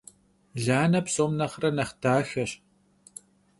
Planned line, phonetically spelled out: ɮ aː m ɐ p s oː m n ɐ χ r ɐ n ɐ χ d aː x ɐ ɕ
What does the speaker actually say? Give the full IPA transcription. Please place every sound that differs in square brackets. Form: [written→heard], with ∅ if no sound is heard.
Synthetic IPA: ɮ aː [m→n] ɐ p s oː m n ɐ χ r ɐ n ɐ χ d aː x ɐ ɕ